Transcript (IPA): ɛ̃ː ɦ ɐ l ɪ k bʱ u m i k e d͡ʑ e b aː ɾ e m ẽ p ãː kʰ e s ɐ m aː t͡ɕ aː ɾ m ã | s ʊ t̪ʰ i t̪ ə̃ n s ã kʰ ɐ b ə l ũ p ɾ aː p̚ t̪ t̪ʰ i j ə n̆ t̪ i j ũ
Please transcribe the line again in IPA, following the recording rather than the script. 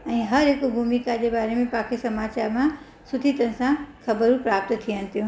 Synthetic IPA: ɛ̃ː ɦ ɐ ɾ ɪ k bʱ u m i k a d͡ʑ e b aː ɾ e m ẽ p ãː kʰ e s ɐ m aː t͡ɕ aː ɾ m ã | s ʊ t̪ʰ i t̪ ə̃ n s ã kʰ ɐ b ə ɾ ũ p ɾ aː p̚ t̪ t̪ʰ i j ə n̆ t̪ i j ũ

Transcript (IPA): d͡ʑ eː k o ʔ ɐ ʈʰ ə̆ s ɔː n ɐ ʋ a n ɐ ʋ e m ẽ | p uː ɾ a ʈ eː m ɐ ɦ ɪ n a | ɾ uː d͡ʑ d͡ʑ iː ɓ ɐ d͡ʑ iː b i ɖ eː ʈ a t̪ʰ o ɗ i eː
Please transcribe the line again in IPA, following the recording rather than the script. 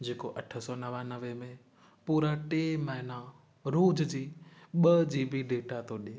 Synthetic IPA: d͡ʑ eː k o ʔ ɐ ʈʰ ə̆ s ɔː n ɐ ʋ a n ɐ ʋ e m ẽ | p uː ɾ a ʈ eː m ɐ ɦ ɪ n a | ɾ uː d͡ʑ d͡ʑ iː ɓ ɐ d͡ʑ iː b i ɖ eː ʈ a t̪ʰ o ɗ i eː

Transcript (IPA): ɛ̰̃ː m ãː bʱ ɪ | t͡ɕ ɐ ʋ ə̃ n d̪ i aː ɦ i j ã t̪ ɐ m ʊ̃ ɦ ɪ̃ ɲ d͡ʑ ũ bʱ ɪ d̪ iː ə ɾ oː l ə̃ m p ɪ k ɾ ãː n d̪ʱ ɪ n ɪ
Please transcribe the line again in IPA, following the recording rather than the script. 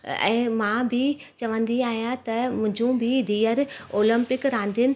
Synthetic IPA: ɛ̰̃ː m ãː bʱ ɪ | t͡ɕ ɐ ʋ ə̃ n d̪ i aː ɦ i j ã t̪ ɐ m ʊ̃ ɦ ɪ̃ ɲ d͡ʑ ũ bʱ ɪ d̪ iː ə ɾ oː l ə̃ m p ɪ k ɾ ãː n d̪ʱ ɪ n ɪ

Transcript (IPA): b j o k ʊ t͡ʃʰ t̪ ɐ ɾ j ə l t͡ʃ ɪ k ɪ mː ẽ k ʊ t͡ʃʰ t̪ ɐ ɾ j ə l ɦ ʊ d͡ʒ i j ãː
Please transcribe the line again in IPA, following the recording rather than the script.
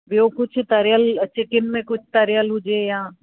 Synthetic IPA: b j o k ʊ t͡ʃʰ t̪ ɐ ɾ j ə l t͡ʃ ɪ k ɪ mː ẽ k ʊ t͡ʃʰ t̪ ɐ ɾ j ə l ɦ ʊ d͡ʒ e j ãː

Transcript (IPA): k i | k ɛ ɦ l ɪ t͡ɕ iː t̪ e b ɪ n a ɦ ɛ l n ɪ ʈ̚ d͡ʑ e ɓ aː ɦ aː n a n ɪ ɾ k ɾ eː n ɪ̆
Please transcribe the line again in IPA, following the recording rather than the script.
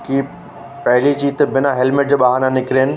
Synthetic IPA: k i | p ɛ ɦ l i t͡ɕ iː t̪ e b ɪ n a ɦ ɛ l m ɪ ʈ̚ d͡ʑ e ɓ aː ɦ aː n a n ɪ k ɾ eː n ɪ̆

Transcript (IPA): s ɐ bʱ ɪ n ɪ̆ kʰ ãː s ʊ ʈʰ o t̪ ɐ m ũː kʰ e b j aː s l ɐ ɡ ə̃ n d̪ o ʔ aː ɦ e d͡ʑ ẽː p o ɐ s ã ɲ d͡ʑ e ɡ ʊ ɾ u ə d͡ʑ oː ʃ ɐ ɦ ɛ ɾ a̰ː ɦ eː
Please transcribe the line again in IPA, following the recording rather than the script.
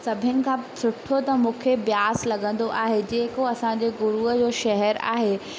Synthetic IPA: s ɐ bʱ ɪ n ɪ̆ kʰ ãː s ʊ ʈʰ o t̪ ɐ m ũː kʰ e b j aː s l ɐ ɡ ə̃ n d̪ o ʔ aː ɦ e d͡ʑ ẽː k o ɐ s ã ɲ d͡ʑ e ɡ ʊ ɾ u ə d͡ʑ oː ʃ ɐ ɦ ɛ ɾ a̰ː ɦ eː

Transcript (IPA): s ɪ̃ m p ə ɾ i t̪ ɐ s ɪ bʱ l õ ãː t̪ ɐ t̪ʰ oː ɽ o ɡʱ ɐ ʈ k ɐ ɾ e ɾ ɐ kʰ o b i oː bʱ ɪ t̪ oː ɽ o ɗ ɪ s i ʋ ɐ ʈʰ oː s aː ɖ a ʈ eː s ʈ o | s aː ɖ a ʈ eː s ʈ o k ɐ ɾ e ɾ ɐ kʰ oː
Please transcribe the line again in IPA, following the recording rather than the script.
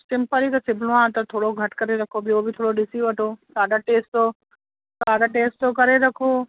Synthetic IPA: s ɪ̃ m p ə ɾ i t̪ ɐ s ɪ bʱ l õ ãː t̪ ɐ t̪ʰ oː ɽ o ɡʱ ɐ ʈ k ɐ ɾ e ɾ ɐ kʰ o b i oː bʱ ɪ t̪ʰ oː ɽ o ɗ ɪ s i ʋ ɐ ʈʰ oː s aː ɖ a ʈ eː s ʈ o | s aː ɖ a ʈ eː s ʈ o k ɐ ɾ e ɾ ɐ kʰ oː

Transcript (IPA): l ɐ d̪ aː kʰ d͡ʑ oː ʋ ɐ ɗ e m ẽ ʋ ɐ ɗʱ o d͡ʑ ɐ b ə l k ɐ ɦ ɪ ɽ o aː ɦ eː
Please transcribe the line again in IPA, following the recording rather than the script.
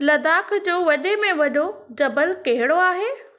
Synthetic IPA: l ɐ d̪ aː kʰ d͡ʑ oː ʋ ɐ ɗ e m ẽ ʋ ɐ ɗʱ o d͡ʑ ɐ b ə l k ɐ ɦ ɪ ɽ o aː ɦ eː

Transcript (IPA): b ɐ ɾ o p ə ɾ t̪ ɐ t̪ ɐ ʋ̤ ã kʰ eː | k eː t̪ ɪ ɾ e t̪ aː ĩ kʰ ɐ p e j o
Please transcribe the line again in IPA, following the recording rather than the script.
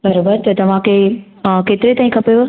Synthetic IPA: b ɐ ɾ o b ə ɾ t̪ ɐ t̪ ɐ ʋ̤ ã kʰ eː | k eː t̪ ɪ ɾ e t̪ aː ĩ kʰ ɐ p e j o

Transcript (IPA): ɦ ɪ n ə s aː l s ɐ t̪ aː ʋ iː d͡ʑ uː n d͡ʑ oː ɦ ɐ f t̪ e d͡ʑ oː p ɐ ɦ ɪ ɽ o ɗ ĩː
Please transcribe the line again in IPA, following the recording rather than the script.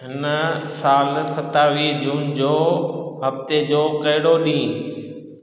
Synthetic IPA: ɦ ɪ n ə s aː l s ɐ t̪ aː ʋ iː d͡ʑ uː n d͡ʑ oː ɦ ɐ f t̪ e d͡ʑ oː k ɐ ɦ ɪ ɽ o ɗ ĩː

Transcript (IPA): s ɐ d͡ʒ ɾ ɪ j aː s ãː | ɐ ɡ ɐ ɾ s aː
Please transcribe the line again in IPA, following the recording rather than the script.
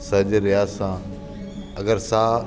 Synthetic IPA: s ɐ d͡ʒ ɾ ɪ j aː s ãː | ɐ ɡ ə ɾ s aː

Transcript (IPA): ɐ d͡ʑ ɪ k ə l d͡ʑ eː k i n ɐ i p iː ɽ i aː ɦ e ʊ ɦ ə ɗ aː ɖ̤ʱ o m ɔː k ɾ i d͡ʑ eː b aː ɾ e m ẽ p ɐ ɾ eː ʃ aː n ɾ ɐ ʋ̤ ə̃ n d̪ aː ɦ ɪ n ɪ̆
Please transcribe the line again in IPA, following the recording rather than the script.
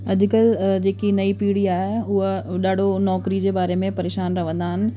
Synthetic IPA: ɐ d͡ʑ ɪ k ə l d͡ʑ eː k i n ɐ i p iː ɽ i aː ɦ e ʊ ɦ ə ɗ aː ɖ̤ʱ o n ɔː k ɾ i d͡ʑ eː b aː ɾ e m ẽ p ɐ ɾ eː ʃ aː n ɾ ɐ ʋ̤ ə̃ n d̪ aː ɦ ɪ n ɪ̆

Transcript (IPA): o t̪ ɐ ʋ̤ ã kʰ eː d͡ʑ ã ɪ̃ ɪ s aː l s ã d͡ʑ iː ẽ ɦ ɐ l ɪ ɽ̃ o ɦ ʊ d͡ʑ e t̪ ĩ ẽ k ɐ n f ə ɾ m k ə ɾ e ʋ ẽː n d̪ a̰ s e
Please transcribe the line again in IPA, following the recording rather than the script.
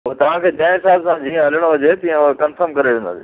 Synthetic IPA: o t̪ ɐ ʋ̤ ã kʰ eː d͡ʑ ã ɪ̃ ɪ s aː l s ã d͡ʑ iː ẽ ɦ ɐ l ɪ ɽ̃ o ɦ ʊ d͡ʑ e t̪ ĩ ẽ k ɐ n f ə ɾ m k ɐ ɾ e ʋ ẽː n d̪ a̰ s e

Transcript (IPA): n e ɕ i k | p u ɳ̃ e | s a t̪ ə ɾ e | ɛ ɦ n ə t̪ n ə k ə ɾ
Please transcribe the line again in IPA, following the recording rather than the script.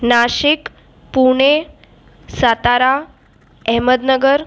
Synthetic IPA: n a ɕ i k | p u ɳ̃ e | s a t̪ a ɾ a | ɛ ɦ m ə d̪ n ə ɡ ə ɾ

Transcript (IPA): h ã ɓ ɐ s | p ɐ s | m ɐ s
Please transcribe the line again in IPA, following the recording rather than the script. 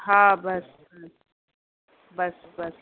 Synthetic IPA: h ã b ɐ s | b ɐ s | b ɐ s

